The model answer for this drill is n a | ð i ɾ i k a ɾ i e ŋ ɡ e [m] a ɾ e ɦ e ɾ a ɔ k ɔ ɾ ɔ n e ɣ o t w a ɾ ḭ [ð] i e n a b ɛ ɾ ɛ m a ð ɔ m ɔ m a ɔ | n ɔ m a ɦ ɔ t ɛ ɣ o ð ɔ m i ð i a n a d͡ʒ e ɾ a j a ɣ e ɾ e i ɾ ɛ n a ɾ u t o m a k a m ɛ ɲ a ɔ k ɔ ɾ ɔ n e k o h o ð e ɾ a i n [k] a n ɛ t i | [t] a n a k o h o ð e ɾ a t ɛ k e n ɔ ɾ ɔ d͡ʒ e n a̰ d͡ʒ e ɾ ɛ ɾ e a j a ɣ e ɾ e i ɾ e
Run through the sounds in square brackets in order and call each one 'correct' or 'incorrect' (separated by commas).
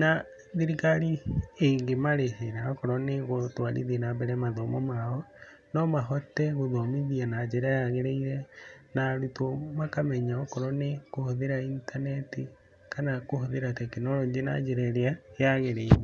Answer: correct, correct, incorrect, incorrect